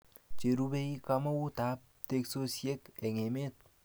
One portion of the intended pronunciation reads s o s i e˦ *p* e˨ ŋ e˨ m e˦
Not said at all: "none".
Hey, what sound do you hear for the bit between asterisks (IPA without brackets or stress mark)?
k